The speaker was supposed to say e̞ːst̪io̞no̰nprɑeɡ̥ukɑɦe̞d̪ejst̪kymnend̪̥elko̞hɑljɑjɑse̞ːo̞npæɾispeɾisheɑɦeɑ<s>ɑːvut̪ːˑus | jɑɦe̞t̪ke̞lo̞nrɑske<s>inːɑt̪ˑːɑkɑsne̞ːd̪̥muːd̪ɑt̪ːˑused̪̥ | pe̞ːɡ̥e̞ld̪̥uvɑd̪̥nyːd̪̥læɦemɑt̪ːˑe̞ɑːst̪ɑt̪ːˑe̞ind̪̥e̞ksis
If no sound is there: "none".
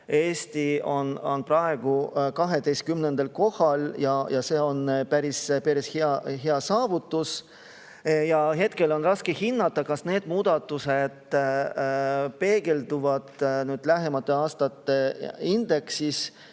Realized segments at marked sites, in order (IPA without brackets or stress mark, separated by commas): s, h